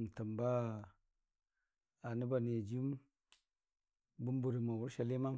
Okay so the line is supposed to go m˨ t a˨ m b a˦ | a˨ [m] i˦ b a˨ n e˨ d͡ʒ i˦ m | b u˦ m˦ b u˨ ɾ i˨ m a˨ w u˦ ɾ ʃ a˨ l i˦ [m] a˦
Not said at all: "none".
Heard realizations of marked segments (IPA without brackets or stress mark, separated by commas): n, m